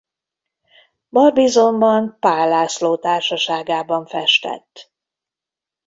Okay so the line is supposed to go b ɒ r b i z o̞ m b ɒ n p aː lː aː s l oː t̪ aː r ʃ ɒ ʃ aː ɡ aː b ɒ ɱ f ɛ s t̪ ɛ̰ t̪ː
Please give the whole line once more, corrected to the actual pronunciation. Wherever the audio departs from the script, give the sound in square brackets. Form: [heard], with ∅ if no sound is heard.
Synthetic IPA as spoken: b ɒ r b i z o̞ m b ɒ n p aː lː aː s l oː t̪ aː r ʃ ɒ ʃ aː ɡ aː b ɒ ɱ f ɛ [ʃ] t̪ ɛ̰ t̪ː